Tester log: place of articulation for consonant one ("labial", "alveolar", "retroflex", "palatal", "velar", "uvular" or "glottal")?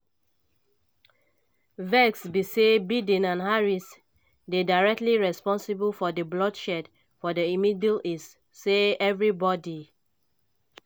labial